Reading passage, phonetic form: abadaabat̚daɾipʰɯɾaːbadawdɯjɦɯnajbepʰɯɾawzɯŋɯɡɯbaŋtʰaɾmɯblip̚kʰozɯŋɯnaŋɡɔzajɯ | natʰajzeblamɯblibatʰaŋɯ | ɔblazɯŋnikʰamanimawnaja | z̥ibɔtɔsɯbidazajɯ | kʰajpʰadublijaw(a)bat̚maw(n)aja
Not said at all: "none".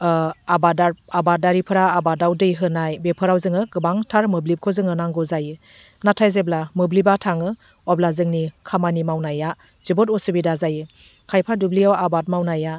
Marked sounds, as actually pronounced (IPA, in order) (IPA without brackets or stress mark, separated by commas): a, n